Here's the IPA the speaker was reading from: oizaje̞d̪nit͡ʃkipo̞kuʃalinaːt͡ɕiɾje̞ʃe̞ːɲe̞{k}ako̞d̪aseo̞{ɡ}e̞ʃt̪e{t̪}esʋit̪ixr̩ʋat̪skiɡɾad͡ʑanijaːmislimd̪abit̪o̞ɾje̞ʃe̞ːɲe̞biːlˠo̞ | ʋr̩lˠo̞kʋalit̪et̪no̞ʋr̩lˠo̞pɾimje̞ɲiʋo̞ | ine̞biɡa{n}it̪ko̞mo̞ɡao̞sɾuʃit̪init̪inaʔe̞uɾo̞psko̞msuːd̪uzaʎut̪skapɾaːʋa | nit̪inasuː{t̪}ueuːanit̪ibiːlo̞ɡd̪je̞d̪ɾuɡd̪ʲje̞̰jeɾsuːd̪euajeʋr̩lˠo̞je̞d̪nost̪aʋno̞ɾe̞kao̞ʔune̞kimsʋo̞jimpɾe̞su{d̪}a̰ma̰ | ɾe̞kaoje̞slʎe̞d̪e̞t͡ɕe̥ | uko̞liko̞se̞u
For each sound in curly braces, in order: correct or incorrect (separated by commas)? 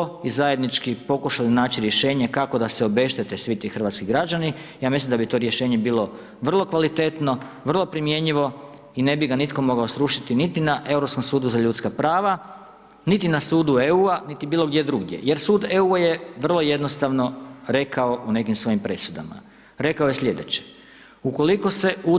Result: correct, incorrect, correct, correct, incorrect, correct